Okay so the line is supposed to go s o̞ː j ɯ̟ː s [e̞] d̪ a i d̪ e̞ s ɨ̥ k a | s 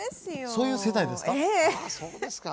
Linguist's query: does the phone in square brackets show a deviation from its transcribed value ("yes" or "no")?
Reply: no